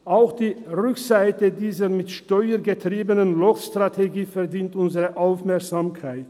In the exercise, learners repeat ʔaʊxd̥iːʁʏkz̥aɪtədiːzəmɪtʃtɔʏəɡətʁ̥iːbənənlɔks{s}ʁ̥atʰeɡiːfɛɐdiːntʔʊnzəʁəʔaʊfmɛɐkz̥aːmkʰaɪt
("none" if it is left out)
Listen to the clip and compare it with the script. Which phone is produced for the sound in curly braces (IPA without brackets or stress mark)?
t